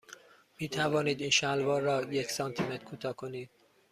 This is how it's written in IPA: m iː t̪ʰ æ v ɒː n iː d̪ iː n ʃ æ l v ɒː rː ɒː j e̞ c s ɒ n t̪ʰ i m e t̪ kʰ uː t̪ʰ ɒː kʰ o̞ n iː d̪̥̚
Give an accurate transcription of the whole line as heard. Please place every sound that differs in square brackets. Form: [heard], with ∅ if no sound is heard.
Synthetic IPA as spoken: m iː t̪ʰ æ v ɒː n iː d̪ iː n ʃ æ l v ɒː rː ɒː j e̞ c s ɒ n t̪ʰ i m e t̪ kʰ uː t̪ʰ ɒː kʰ o̞ n iː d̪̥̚